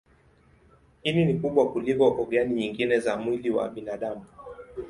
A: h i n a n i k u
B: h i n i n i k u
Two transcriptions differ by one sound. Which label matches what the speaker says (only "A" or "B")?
B